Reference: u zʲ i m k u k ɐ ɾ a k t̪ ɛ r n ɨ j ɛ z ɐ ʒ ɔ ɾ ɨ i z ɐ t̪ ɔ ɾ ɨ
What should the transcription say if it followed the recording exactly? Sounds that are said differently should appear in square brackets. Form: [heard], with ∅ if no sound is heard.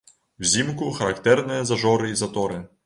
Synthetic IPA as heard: [w] zʲ i m k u [x] ɐ ɾ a k t̪ ɛ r n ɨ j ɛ z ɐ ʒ ɔ ɾ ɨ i z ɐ t̪ ɔ ɾ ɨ